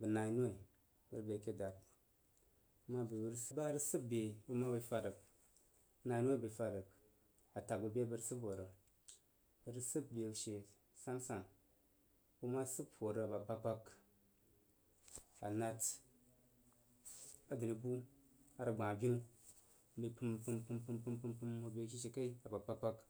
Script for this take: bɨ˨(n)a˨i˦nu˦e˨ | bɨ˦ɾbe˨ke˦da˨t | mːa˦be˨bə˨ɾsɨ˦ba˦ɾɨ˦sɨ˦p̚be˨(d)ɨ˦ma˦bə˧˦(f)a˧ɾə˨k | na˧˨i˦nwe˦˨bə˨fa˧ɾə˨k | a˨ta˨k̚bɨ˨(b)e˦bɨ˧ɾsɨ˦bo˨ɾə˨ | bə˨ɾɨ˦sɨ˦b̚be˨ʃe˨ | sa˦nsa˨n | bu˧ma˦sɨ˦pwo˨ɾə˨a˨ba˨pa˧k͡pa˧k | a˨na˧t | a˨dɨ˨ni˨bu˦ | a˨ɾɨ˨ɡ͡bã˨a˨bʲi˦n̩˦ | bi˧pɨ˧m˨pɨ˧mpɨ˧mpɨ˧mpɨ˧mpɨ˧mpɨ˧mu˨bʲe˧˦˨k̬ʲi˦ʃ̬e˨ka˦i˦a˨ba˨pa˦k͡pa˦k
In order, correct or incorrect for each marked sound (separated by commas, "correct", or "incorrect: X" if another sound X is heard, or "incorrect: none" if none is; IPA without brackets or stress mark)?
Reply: correct, incorrect: b, correct, correct